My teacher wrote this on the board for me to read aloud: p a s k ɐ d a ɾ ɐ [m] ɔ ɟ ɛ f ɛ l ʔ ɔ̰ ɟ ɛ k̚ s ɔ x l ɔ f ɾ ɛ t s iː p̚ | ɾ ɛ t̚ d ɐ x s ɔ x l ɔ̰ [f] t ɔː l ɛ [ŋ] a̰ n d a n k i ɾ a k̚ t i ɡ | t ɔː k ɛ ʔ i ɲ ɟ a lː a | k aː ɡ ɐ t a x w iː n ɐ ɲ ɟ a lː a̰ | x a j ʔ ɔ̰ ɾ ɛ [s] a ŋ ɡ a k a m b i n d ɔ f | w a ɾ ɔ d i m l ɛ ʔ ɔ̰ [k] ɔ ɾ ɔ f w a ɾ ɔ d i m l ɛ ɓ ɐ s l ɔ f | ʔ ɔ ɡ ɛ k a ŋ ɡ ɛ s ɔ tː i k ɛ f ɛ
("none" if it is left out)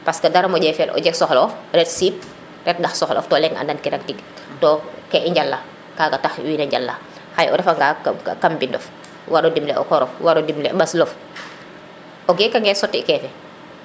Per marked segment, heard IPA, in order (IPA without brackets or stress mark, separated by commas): m, f, ŋ, f, k